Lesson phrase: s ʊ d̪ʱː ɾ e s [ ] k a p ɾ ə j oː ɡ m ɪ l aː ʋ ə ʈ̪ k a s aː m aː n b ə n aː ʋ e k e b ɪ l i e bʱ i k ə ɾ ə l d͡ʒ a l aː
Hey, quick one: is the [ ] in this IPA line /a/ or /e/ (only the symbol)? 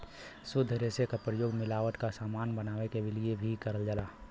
e